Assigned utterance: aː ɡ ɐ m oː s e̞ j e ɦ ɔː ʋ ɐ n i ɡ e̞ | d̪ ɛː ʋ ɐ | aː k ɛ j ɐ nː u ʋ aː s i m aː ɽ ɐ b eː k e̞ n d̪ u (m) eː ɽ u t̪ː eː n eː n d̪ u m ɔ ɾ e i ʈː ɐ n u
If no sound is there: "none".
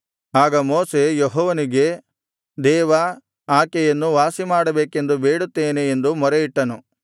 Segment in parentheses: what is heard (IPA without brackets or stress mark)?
b